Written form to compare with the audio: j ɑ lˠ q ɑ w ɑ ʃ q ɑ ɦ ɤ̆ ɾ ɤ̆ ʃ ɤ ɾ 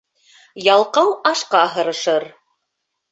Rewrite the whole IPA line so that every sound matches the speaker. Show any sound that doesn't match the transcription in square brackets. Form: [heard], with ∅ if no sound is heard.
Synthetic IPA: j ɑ lˠ q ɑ w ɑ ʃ q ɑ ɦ ɤ̆ ɾ ɤ̆ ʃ ɤ ɾ